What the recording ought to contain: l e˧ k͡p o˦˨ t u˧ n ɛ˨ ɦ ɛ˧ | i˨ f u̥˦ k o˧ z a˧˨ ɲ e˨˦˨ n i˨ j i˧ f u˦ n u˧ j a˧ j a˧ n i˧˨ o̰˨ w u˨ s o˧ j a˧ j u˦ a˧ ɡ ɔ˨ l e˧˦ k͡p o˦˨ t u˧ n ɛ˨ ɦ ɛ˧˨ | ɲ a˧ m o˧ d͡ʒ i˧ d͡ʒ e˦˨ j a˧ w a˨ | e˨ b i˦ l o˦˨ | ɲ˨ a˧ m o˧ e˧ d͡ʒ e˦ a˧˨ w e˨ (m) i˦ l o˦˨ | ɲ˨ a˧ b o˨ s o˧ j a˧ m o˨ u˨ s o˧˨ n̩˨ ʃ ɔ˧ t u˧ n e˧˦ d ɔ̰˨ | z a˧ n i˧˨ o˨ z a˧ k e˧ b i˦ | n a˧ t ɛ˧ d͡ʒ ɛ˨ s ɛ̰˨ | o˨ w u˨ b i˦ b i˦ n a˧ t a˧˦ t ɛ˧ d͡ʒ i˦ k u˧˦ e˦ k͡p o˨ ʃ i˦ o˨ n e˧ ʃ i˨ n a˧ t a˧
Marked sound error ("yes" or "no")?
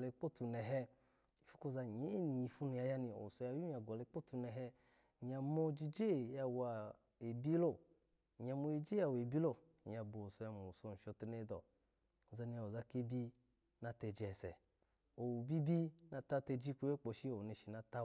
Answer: yes